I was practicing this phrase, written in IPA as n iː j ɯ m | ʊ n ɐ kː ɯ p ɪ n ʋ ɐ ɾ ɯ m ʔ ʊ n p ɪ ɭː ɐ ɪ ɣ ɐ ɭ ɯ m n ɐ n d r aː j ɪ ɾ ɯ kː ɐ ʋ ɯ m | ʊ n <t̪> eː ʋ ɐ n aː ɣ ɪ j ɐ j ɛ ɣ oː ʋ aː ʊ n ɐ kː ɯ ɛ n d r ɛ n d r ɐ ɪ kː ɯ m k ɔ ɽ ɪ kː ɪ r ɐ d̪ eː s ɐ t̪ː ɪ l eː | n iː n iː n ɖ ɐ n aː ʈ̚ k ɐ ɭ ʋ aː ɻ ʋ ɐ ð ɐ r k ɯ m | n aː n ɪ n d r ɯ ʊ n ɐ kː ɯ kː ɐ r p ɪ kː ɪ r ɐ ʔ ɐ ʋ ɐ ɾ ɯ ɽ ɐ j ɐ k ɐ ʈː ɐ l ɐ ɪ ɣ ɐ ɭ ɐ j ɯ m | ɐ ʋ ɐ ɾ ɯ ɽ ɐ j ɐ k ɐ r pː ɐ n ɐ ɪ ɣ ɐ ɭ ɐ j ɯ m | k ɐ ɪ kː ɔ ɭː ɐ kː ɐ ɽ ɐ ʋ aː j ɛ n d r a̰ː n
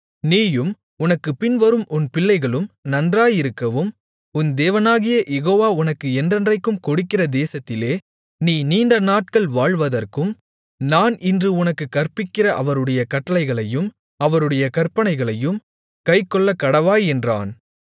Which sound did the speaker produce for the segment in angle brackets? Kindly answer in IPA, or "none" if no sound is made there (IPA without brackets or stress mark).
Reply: d̪